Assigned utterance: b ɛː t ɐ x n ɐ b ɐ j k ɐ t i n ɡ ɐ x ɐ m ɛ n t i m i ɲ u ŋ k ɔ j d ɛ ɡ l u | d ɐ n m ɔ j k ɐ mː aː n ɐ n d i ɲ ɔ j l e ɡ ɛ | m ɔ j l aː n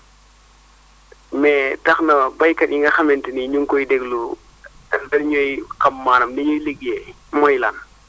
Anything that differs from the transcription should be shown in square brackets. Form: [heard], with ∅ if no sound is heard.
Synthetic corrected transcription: [m] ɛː t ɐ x n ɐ b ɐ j k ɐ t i [ŋ] ɡ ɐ x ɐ m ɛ n t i [n] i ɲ u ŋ k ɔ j d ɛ ɡ l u | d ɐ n [ɲ] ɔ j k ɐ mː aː n ɐ [m] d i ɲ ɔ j l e ɡ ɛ | m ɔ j l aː n